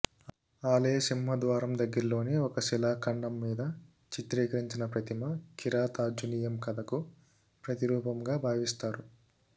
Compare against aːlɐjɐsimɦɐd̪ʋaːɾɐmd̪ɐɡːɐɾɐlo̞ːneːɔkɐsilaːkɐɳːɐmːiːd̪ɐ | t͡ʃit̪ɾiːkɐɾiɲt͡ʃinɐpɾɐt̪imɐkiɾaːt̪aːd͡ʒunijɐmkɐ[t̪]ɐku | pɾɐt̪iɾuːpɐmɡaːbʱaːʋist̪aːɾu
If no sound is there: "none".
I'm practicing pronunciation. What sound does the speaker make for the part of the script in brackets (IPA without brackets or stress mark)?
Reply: d̪